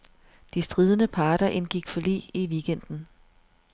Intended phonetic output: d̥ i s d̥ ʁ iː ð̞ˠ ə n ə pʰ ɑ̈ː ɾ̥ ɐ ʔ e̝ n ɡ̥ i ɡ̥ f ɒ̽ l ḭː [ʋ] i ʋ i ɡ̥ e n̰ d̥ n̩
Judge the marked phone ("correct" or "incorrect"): incorrect